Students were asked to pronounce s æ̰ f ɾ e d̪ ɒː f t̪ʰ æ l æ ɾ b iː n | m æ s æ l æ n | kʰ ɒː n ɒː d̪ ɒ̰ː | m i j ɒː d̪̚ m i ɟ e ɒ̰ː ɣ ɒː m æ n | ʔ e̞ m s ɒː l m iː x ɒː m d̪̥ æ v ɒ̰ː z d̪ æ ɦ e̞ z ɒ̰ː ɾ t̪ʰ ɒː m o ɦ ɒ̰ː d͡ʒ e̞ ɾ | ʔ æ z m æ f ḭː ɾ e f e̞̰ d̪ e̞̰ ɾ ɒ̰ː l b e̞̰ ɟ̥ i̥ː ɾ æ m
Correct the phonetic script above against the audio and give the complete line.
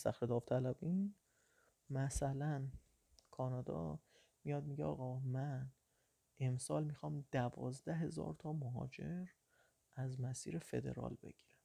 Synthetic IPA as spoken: s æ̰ x ɾ e d̪ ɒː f t̪ʰ æ l æ b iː n | m æ s æ l æ n | kʰ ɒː n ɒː d̪ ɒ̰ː | m i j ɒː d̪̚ m i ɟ e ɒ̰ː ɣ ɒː m æ n | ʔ e̞ m s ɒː l m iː x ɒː m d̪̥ æ v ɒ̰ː z d̪ æ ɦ e̞ z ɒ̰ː ɾ t̪ʰ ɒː m o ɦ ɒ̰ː d͡ʒ e̞ ɾ | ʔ æ z m æ s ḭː ɾ e f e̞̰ d̪ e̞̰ ɾ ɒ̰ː l b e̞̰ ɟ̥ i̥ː ɾ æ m